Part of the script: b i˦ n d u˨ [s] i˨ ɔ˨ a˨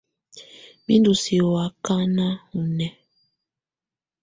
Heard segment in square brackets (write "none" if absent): s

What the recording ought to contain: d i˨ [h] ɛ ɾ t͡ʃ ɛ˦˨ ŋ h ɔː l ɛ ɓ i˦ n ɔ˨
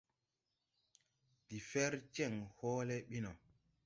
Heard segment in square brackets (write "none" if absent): f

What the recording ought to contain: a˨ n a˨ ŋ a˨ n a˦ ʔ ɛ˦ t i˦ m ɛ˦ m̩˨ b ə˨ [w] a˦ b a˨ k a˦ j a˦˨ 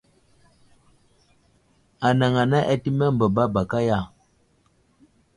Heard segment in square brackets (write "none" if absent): b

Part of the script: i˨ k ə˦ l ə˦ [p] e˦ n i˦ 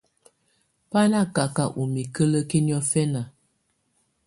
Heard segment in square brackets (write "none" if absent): k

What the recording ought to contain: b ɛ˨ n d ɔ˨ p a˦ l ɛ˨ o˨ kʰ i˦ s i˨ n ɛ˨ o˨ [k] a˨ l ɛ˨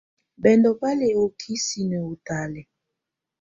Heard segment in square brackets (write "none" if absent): t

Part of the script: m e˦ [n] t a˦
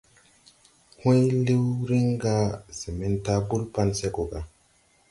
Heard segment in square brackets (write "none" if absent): n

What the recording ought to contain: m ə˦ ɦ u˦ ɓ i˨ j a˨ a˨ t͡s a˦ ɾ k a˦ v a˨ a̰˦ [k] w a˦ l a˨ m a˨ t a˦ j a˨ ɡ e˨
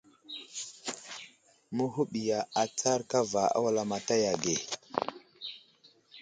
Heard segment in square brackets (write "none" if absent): none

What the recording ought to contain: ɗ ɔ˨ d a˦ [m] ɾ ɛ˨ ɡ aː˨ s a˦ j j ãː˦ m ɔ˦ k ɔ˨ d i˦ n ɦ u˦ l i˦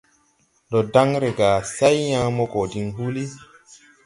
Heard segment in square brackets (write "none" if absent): ŋ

